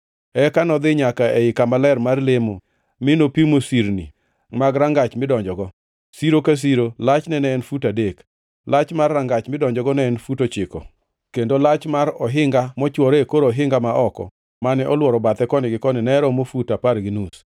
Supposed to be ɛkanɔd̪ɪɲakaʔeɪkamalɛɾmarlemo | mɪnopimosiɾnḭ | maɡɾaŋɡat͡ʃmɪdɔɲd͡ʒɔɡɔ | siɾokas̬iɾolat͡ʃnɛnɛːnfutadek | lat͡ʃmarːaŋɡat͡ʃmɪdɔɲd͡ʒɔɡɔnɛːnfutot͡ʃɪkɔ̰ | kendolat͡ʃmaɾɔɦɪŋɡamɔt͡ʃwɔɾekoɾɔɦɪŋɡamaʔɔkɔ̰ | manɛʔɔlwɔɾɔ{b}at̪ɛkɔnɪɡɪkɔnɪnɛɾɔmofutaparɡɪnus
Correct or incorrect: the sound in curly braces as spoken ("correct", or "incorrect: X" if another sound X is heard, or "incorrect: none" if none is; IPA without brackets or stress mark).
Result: correct